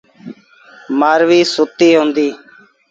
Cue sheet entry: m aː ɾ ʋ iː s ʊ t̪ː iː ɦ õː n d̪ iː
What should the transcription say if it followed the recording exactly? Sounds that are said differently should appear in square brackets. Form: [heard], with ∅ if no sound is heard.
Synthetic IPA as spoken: m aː ɾ ʋ iː s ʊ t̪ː iː ɦ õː n d̪ iː